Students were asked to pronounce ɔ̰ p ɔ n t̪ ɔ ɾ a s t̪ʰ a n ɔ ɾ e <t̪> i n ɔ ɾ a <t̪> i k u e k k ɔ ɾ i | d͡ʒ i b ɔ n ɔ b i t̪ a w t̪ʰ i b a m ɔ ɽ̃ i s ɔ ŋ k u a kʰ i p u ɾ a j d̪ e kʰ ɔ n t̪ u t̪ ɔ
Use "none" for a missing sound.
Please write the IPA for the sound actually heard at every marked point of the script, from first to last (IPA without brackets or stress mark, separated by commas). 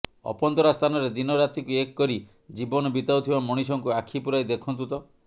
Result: d̪, t̪